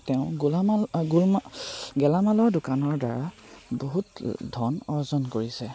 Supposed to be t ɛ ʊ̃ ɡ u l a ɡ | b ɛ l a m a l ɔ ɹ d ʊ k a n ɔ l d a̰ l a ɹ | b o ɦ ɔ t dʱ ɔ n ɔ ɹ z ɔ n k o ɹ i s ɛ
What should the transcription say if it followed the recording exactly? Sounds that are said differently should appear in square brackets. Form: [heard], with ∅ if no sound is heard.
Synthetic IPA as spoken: t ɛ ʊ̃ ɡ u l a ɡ | [ɡ] ɛ l a m a l ɔ ɹ d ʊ k a n ɔ [ɹ] d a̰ [ɹ] a [∅] | b o ɦ [u] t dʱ ɔ n ɔ ɹ z ɔ n k o ɹ i s ɛ